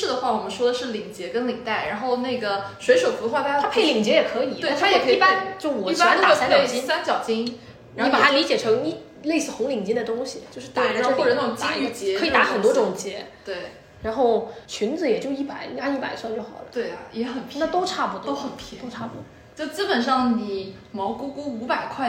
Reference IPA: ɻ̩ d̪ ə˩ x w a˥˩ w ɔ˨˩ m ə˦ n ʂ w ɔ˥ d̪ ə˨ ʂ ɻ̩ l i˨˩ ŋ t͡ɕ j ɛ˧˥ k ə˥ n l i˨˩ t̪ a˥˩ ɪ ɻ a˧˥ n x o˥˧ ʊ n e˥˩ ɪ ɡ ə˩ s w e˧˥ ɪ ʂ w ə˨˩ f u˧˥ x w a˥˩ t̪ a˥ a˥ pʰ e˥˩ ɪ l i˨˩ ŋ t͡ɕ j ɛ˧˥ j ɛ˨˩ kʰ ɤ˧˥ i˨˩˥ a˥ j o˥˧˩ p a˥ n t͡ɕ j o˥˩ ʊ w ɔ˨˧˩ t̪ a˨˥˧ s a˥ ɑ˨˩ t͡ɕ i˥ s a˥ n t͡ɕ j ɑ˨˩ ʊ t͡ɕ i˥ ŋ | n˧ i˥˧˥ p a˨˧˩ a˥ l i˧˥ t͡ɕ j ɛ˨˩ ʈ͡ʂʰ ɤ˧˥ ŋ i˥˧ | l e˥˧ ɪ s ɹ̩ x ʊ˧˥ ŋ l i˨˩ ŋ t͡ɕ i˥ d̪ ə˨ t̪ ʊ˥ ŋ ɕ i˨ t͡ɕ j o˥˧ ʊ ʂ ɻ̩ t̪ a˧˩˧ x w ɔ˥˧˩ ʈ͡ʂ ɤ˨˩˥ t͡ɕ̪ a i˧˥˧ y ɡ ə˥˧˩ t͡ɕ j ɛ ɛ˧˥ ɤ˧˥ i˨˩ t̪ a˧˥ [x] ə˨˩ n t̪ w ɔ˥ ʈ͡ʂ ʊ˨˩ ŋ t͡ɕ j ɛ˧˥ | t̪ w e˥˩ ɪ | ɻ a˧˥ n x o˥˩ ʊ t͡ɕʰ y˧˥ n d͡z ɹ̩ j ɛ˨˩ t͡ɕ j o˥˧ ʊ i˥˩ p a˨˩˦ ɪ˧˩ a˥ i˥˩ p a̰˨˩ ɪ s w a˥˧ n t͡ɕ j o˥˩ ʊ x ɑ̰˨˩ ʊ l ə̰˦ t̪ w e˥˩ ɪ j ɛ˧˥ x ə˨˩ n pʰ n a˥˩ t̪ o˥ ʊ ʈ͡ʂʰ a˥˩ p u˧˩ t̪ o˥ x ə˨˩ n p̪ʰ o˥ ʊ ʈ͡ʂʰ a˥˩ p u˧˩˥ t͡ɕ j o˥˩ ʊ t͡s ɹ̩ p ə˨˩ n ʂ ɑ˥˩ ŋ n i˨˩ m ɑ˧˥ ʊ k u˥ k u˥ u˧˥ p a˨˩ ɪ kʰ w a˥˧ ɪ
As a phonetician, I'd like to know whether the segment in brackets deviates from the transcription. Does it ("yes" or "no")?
no